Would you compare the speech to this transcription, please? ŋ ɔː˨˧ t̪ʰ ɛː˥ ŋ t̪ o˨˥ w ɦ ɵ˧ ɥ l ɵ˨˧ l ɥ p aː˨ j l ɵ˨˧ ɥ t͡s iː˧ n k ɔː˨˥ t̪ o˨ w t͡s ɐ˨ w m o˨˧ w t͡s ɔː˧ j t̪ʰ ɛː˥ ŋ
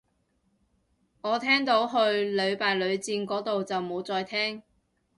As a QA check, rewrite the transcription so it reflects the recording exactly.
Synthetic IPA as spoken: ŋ ɔː˨˧ t̪ʰ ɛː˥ ŋ t̪ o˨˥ w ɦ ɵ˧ ɥ l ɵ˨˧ ɥ p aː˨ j l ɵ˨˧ ɥ t͡s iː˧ n k ɔː˨˥ t̪ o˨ w t͡s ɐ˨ w m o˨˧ w t͡s ɔː˧ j t̪ʰ ɛː˥ ŋ